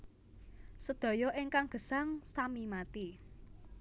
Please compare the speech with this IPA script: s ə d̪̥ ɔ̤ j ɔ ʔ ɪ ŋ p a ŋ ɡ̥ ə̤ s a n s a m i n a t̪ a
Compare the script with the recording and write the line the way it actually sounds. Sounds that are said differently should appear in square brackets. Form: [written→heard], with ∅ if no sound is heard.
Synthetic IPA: s ə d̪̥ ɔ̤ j ɔ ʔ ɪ ŋ [p→k] a ŋ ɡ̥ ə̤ s a [n→ŋ] s a m i [n→m] a t̪ [a→i]